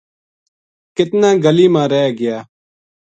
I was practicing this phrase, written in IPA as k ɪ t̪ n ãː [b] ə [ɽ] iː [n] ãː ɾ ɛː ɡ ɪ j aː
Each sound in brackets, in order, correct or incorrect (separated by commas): incorrect, incorrect, incorrect